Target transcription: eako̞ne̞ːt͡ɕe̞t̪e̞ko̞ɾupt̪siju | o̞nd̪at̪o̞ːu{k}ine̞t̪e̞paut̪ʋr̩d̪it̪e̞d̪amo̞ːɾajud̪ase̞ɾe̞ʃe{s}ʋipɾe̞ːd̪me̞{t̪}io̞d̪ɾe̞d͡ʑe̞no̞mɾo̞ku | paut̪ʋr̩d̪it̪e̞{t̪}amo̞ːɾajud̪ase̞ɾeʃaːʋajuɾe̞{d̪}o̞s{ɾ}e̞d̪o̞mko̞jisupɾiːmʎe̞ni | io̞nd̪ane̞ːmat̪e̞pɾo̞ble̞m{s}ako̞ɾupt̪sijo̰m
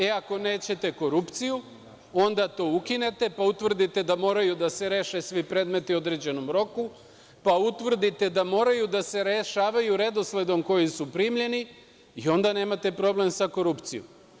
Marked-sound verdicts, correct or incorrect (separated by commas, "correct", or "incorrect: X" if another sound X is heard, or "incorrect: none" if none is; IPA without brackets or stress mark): correct, correct, correct, incorrect: d̪, correct, incorrect: l, correct